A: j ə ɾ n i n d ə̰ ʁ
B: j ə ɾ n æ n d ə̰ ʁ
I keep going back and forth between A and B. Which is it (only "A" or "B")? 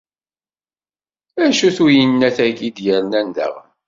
B